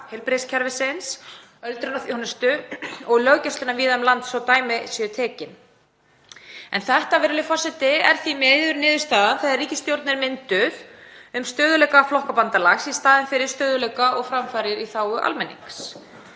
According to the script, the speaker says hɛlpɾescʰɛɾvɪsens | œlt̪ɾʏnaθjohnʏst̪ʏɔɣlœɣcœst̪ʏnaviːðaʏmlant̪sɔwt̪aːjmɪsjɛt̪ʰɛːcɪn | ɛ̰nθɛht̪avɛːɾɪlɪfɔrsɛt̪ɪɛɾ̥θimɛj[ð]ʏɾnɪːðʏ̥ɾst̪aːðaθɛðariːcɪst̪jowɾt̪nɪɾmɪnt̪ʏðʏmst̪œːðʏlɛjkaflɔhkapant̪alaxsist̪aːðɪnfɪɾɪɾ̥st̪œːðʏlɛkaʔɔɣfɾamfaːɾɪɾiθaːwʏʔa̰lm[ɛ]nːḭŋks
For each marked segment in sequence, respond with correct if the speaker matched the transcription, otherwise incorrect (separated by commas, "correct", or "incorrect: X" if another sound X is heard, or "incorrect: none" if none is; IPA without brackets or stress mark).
correct, correct